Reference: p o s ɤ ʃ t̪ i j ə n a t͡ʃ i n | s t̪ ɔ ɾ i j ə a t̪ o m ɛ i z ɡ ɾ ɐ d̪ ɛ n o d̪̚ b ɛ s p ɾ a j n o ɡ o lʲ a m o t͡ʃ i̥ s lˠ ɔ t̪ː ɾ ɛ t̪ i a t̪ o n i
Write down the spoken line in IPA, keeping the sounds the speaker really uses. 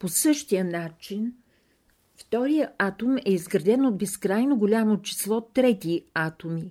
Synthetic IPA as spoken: p o s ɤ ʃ t̪ i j ə n a t͡ʃ i n | f t̪ ɔ ɾ i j ə a t̪ o m ɛ i z ɡ ɾ ɐ d̪ ɛ n o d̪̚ b ɛ s k ɾ a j n o ɡ o lʲ a m o t͡ʃ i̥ s lˠ ɔ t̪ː ɾ ɛ t̪ i a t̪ o m i